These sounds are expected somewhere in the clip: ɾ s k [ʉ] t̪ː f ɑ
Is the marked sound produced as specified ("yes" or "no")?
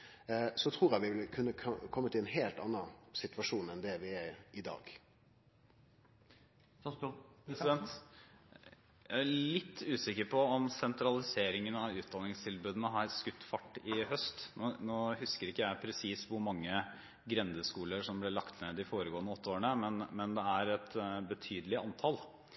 yes